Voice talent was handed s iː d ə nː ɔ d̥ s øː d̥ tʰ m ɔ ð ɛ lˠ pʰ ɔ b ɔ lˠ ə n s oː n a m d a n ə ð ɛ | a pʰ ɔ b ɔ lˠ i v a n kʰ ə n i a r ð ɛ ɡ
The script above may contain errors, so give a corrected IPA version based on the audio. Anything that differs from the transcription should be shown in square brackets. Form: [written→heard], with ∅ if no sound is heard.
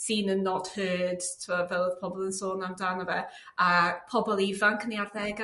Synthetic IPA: s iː [d→n] ə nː ɔ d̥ [s→h] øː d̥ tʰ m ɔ [ð→v] ɛ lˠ pʰ ɔ b ɔ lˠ ə n s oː n a m d a n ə [ð→v] ɛ | a pʰ ɔ b ɔ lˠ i v a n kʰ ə n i a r ð ɛ ɡ